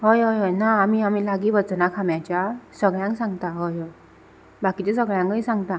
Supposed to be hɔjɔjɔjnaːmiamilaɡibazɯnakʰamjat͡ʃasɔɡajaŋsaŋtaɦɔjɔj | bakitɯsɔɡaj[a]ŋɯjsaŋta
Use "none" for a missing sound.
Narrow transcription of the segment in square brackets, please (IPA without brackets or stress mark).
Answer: a